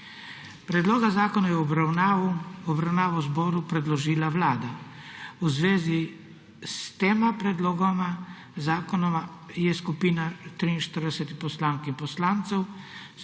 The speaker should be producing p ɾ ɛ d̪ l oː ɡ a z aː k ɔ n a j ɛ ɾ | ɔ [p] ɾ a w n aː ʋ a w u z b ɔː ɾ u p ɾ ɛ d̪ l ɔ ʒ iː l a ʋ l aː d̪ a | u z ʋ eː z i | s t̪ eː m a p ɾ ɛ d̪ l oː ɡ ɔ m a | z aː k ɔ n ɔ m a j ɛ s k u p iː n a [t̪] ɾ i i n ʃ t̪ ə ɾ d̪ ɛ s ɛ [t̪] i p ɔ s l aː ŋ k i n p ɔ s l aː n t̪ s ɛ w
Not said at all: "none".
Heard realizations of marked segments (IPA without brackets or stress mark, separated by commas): b, t̪, t̪